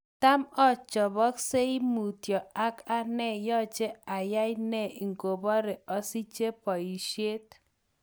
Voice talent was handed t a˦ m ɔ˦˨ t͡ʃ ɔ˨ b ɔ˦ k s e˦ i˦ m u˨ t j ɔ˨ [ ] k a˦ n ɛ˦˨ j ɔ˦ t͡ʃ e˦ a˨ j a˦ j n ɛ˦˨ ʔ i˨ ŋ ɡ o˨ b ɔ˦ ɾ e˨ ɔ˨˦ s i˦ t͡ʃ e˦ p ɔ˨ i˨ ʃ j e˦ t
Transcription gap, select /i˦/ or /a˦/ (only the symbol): a˦